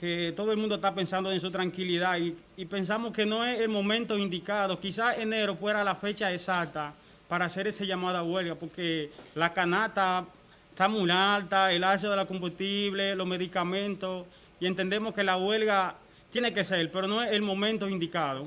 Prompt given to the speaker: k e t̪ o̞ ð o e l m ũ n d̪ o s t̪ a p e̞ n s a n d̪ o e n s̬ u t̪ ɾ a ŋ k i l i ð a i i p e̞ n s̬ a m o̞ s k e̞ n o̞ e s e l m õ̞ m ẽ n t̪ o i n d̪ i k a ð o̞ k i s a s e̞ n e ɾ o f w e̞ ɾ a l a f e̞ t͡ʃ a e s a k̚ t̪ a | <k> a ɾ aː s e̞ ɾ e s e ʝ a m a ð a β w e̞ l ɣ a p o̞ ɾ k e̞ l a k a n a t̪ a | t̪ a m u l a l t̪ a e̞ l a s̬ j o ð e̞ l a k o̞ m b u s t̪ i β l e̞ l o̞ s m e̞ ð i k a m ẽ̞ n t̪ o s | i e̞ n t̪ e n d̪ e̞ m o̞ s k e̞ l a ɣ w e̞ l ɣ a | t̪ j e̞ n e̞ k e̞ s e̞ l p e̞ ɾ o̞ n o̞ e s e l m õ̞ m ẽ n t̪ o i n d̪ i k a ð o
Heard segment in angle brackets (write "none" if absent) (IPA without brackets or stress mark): p